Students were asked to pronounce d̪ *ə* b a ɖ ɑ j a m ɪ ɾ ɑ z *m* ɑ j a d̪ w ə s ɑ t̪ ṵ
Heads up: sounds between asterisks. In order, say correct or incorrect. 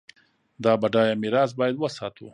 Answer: incorrect, incorrect

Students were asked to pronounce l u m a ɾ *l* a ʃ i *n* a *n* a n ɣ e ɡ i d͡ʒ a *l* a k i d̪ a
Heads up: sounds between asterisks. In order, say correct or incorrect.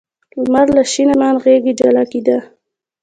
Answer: correct, correct, incorrect, correct

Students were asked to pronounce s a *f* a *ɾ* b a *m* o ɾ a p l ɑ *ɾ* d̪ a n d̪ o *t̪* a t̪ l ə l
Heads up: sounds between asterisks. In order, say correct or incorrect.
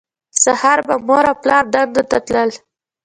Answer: incorrect, correct, correct, correct, correct

